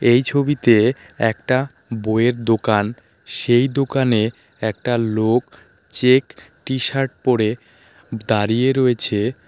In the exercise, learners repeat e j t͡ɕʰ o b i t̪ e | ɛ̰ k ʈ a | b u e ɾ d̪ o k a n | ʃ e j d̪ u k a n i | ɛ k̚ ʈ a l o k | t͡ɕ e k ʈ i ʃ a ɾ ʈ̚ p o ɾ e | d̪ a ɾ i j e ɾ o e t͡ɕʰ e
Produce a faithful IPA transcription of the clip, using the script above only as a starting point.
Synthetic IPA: e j t͡ɕʰ o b i t̪ e | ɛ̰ k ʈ a | b o e ɾ d̪ o k a n | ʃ e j d̪ o k a n e | ɛ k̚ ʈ a l o k | t͡ɕ e k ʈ i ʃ a ɾ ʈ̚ p o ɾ e | d̪ a ɾ i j e ɾ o e t͡ɕʰ e